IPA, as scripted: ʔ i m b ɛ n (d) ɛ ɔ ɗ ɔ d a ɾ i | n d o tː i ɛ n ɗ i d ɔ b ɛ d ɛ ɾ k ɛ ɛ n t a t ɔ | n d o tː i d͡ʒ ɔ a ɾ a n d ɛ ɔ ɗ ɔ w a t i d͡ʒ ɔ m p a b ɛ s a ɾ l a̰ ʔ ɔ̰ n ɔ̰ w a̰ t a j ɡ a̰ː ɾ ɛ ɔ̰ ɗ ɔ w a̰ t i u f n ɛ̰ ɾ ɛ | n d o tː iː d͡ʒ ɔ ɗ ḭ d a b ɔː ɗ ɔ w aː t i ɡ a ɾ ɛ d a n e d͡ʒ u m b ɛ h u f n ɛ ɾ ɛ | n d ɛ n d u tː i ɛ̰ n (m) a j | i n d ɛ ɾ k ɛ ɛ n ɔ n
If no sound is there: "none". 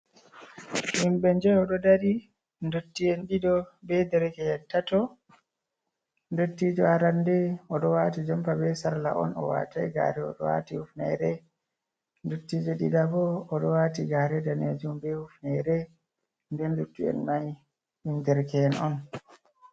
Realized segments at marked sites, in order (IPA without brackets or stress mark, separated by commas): d͡ʒ, m